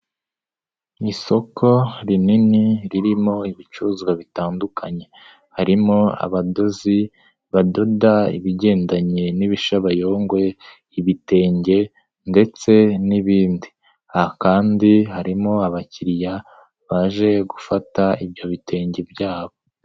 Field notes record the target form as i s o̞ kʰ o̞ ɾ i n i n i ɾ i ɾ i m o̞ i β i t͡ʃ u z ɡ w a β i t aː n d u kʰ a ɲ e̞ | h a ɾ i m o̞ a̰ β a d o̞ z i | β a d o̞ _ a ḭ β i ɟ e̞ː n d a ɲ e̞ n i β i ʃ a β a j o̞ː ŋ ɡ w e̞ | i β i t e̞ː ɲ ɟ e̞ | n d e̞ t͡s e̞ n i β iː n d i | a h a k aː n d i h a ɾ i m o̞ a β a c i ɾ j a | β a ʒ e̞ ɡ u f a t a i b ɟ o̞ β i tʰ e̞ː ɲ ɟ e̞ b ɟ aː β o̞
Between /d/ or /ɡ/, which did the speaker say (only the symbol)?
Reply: d